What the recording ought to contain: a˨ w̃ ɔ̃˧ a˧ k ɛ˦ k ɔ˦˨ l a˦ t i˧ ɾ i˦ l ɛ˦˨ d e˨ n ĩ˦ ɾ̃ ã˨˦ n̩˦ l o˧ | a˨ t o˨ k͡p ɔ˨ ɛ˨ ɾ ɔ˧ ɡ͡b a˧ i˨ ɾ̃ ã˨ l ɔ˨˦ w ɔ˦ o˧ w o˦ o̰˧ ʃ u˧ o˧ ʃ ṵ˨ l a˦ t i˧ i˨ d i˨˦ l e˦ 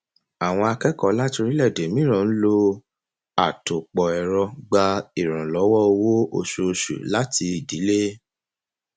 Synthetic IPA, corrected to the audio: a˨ w̃ ɔ̃˧ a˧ k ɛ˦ k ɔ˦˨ l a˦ t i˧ ɾ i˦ l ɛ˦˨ d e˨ m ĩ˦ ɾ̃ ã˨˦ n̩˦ l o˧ | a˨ t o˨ k͡p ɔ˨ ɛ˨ ɾ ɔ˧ ɡ͡b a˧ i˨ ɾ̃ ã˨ l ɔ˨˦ w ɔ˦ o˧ w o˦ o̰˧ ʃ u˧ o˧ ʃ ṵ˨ l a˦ t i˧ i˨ d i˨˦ l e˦